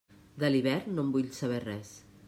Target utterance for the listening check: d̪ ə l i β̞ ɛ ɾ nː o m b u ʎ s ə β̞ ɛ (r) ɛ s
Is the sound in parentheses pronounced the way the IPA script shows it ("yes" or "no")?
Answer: yes